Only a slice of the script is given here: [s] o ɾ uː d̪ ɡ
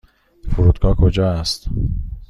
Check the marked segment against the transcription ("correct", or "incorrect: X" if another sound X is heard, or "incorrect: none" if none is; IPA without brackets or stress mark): incorrect: f